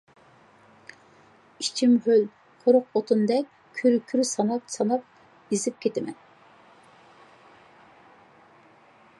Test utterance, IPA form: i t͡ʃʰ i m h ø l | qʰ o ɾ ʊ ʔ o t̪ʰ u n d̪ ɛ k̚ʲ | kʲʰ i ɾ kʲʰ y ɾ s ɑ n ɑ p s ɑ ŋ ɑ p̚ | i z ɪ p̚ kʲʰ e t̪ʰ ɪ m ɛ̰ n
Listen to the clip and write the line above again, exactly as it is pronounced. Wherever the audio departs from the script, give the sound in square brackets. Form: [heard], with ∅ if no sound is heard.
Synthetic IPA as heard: i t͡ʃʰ i m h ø l | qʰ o ɾ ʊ [q] o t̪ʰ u n d̪ ɛ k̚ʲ | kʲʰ [y] ɾ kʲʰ y ɾ s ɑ n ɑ p s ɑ [n] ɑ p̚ | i z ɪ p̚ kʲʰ e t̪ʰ ɪ m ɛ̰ n